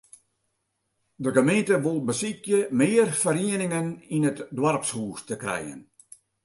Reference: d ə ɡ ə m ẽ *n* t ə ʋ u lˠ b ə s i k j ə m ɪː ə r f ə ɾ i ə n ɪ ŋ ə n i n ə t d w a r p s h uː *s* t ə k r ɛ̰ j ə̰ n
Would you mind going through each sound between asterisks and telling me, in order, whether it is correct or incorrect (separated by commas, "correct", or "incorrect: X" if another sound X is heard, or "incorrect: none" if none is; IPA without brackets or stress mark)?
correct, correct